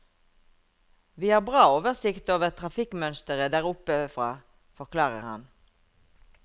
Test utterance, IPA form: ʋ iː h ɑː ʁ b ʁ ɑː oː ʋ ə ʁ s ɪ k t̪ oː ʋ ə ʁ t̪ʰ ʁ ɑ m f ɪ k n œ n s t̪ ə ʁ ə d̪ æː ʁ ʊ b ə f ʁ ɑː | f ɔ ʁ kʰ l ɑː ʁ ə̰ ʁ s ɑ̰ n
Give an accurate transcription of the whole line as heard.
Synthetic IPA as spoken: ʋ iː h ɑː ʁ b ʁ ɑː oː ʋ ə ʁ s ɪ k t̪ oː ʋ ə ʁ t̪ʰ ʁ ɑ f ɪ k m œ n s t̪ ə ʁ ə d̪ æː ʁ ʊ p ə f ʁ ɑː | f ɔ ʁ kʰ l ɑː ʁ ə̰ ʁ h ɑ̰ n